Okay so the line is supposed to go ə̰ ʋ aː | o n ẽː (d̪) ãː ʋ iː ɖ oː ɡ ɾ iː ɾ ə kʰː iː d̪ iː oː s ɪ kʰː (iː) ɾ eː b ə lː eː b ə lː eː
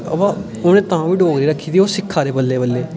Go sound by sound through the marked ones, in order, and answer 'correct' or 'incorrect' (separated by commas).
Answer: incorrect, incorrect